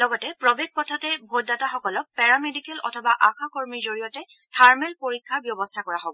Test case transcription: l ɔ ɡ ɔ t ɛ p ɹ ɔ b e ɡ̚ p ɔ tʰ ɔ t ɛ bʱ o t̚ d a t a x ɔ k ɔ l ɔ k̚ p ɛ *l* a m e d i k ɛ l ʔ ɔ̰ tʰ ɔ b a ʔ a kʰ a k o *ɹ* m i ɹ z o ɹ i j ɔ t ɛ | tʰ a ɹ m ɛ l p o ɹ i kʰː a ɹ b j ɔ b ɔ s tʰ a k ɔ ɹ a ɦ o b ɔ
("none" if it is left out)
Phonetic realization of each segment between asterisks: ɹ, ɹ

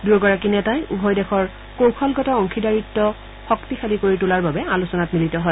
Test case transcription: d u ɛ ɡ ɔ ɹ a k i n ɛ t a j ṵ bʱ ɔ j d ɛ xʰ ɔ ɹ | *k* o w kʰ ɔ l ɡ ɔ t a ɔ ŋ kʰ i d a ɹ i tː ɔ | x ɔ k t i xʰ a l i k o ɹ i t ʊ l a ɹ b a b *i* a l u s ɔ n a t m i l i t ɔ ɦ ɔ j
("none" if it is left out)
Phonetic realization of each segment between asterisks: k, ɛ

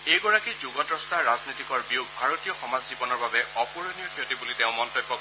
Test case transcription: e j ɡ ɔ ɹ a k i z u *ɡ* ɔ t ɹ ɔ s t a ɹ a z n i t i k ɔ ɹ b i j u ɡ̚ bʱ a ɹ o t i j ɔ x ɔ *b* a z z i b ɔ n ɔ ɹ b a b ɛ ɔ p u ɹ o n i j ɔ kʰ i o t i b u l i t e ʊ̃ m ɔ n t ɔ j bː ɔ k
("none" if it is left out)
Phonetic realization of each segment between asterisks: ɡ, m

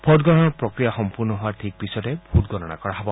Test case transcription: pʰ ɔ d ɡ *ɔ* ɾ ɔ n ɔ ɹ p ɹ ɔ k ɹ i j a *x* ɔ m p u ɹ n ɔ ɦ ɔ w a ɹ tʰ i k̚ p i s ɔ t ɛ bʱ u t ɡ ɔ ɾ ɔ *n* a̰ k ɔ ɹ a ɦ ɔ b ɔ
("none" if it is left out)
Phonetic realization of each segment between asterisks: ɔ, x, n

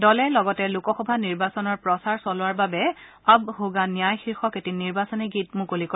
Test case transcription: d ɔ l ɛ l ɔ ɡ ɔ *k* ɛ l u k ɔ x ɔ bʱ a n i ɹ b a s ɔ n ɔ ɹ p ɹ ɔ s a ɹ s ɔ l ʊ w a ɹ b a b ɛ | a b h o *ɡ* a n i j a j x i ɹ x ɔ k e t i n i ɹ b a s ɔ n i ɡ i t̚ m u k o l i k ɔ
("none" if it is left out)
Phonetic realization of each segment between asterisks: t, ɡ

